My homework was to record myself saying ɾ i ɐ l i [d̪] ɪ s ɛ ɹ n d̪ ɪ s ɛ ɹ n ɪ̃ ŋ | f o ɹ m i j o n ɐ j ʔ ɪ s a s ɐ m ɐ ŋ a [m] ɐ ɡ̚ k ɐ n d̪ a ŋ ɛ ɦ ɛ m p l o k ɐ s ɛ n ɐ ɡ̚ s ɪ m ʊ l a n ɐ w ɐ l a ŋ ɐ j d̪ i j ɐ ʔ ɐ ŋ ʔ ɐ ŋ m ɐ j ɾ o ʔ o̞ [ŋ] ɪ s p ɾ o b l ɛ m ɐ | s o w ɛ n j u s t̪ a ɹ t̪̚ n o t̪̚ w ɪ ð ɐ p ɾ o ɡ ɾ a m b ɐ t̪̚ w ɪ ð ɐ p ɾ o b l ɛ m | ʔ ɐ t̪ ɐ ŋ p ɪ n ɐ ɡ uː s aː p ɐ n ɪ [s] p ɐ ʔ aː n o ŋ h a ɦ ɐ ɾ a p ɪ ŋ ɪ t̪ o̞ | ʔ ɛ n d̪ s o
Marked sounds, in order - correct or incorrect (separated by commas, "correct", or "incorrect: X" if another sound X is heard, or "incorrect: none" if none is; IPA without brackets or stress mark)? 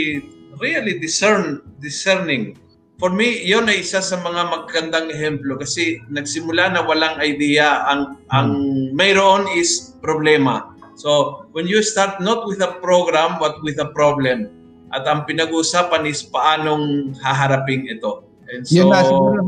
correct, correct, incorrect: n, correct